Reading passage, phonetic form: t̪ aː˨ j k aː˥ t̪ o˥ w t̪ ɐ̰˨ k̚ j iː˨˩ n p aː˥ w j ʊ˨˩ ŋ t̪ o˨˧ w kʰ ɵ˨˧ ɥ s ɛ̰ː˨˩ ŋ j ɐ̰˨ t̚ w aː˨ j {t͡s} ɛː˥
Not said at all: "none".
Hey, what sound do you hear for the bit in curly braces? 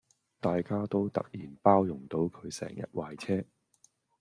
t͡sʰ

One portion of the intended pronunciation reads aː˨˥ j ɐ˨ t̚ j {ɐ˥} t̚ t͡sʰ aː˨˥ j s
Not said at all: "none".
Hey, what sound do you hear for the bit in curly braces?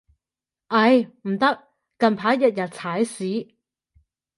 ɐ˨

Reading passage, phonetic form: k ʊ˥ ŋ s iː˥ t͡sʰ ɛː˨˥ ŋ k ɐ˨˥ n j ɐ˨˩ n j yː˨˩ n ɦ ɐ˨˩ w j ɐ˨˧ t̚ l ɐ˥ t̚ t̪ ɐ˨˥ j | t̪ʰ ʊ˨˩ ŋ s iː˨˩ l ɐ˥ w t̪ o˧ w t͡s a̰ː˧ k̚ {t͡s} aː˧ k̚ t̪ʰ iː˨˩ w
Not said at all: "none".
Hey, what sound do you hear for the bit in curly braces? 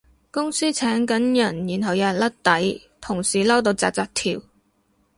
t͡s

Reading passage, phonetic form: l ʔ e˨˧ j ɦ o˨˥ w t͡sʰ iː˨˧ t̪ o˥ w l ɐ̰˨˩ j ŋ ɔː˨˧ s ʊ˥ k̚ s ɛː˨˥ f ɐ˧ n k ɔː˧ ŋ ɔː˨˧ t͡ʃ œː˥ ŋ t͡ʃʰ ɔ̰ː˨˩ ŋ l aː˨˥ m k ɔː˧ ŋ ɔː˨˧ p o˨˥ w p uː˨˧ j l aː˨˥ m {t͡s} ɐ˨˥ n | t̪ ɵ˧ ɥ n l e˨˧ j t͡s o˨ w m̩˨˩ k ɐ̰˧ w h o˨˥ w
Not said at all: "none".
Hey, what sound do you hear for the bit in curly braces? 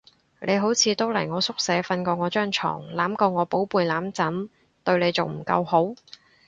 t͡s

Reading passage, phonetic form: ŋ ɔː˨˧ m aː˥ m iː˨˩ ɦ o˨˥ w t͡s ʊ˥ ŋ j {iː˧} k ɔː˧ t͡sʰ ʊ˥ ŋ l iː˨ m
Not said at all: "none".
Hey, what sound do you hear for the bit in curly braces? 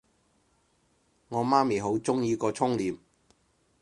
iː˧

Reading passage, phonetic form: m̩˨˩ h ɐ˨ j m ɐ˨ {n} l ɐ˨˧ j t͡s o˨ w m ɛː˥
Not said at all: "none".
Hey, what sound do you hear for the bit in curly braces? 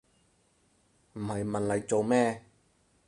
n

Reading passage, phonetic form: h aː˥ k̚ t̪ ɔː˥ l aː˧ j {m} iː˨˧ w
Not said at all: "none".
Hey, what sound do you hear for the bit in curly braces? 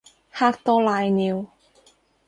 n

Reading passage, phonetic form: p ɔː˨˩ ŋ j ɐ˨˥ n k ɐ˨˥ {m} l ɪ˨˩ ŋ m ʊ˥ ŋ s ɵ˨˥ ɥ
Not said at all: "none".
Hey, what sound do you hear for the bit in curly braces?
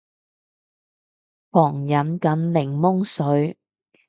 n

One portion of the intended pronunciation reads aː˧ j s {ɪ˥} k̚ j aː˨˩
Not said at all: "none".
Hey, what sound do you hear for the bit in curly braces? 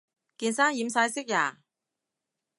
ɪ˥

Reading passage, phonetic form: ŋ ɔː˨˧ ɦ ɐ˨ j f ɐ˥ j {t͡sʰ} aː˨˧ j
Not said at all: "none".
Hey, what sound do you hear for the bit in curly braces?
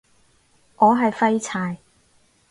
t͡sʰ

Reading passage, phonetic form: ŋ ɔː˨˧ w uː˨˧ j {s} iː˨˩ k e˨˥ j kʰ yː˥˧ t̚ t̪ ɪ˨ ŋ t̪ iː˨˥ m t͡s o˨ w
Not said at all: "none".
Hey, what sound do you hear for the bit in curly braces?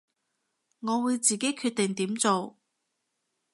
t͡s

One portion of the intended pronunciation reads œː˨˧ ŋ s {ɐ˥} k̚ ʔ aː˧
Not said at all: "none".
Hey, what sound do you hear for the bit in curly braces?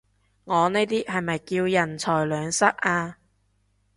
ɐ˥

